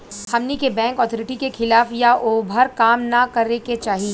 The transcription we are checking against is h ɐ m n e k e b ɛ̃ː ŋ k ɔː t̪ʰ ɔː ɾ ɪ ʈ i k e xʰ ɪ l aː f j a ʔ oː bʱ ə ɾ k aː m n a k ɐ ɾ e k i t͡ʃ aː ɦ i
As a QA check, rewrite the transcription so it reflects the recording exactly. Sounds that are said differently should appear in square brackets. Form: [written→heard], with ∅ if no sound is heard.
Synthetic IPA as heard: h ɐ m n [e→i] k e b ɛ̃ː ŋ k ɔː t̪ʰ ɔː ɾ ɪ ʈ i k e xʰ ɪ l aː f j a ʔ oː bʱ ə ɾ k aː m n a k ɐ ɾ e k [i→e] t͡ʃ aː ɦ i